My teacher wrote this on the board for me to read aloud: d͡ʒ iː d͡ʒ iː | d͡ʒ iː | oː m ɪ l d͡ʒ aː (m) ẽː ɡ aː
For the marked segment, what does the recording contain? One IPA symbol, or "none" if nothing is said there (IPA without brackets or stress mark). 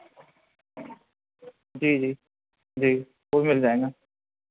none